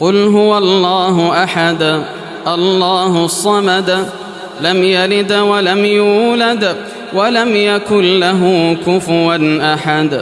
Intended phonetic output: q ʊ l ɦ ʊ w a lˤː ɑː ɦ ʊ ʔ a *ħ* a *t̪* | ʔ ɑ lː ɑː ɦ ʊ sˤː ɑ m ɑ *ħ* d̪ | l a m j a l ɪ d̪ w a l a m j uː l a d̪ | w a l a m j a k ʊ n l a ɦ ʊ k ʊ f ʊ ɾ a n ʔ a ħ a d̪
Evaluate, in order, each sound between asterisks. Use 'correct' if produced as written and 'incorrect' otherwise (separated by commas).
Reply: correct, incorrect, incorrect